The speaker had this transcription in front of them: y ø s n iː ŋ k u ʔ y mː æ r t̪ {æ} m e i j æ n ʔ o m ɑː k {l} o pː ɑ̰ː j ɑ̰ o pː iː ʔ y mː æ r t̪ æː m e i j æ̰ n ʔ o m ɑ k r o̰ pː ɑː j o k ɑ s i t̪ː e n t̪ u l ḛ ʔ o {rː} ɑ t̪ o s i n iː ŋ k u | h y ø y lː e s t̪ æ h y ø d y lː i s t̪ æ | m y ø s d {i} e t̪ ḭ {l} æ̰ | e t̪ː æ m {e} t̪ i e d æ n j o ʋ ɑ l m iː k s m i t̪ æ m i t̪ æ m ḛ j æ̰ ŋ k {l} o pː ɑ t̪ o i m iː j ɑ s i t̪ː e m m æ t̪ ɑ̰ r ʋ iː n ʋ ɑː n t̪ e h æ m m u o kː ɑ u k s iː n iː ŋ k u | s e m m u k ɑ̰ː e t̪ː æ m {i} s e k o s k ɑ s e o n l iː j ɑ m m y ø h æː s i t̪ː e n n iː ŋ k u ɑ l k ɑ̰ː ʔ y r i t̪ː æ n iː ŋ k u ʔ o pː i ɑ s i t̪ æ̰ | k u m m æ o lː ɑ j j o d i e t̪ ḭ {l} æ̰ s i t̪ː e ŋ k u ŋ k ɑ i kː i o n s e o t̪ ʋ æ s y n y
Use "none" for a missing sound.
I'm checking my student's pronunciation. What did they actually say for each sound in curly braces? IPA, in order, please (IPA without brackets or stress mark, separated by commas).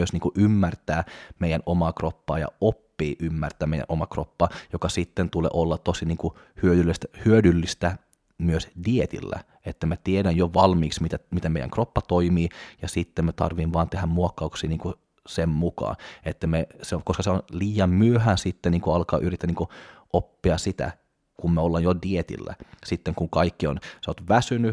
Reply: æː, r, lː, i, lː, æ, r, e, lː